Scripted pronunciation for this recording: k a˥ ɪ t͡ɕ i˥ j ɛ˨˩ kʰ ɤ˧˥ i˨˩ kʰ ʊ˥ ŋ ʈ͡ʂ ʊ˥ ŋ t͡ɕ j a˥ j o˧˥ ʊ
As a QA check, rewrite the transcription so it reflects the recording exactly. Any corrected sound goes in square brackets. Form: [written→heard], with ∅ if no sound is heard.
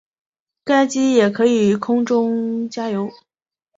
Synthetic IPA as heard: k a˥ ɪ t͡ɕ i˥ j ɛ˨˩ kʰ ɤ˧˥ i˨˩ kʰ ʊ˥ ŋ ʈ͡ʂ ʊ˥ ŋ t͡ɕ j a˥ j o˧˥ ʊ